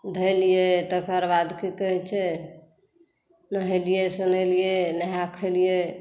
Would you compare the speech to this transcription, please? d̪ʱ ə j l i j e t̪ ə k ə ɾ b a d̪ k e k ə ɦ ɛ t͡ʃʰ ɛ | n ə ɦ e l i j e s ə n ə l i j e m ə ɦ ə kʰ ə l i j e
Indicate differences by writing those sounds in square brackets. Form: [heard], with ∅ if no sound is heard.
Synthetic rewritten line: d̪ʱ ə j l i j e t̪ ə k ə ɾ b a d̪ k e k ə ɦ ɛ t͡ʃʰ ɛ | n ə ɦ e l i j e s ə n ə l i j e [n] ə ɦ [a] kʰ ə l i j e